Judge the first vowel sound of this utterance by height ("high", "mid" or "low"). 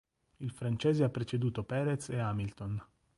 high